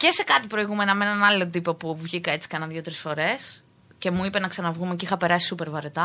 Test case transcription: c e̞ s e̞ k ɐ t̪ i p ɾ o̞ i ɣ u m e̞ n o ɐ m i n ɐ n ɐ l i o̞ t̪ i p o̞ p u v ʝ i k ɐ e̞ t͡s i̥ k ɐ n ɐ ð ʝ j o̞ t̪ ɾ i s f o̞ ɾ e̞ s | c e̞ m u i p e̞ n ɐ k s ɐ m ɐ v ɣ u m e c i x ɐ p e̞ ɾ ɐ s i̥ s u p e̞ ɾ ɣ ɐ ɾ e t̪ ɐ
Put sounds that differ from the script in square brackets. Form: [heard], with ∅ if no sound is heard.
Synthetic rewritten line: c e̞ s e̞ k ɐ t̪ i p ɾ o̞ i ɣ u m e̞ n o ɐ m [e] n ɐ n ɐ l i o̞ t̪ i p o̞ p u v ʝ i k ɐ e̞ t͡s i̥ k ɐ n ɐ ð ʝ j o̞ t̪ ɾ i s f o̞ ɾ e̞ s | c e̞ m u i p e̞ n ɐ k s ɐ [n] ɐ v ɣ u m e c i x ɐ p e̞ ɾ ɐ s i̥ s u p e̞ ɾ [v] ɐ ɾ e t̪ ɐ